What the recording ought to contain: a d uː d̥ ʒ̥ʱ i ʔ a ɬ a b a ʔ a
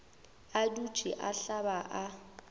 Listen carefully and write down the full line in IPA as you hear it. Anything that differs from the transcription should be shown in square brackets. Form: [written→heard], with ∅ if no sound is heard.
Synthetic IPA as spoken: a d [uː→u] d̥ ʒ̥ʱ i ʔ a ɬ a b a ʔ a